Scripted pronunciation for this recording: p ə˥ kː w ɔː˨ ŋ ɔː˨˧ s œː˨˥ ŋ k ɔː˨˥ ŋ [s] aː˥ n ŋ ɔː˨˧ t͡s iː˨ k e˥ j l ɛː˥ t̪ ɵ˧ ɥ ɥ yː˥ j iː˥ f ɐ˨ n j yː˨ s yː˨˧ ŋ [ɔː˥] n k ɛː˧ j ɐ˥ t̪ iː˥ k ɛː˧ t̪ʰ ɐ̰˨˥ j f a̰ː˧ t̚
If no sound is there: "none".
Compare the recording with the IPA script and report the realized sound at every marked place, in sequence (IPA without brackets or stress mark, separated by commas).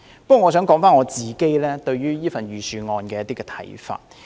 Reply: f, ɔː˧